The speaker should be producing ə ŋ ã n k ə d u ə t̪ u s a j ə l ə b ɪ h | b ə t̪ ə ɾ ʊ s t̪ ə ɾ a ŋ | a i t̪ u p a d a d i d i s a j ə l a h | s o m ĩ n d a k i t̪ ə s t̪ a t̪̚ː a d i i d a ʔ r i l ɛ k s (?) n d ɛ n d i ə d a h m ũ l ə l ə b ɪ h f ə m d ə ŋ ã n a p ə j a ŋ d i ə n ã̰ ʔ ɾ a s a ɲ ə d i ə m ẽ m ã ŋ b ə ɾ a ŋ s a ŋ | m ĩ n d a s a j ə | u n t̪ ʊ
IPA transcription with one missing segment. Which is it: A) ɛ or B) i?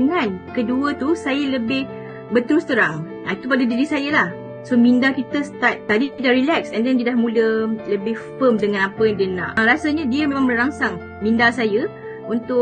A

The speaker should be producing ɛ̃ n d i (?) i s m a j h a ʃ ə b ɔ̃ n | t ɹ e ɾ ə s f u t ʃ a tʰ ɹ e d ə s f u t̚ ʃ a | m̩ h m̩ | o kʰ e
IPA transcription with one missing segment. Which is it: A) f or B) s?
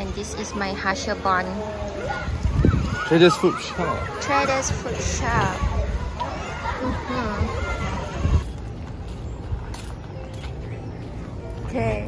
B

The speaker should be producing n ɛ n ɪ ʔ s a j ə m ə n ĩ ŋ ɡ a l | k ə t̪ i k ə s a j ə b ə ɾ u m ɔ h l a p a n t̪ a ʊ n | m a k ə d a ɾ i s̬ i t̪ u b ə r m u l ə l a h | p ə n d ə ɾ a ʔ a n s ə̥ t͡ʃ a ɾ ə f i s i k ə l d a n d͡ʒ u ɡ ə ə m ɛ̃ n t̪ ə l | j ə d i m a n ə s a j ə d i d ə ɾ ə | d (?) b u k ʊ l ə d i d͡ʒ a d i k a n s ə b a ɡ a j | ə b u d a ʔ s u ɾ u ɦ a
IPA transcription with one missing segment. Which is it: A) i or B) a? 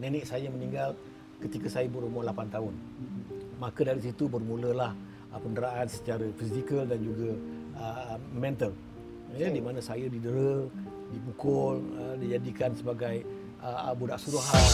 A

